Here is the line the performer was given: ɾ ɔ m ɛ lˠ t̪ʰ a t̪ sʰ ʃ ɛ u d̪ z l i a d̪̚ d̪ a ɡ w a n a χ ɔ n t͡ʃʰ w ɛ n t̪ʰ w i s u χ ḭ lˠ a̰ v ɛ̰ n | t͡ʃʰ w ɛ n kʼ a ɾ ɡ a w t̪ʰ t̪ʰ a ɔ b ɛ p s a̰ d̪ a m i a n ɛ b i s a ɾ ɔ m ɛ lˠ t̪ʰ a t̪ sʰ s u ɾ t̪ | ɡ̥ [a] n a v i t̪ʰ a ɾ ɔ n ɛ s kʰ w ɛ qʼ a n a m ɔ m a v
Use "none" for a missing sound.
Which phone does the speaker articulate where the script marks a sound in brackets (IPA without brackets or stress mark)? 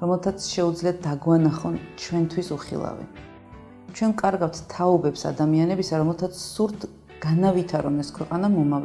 a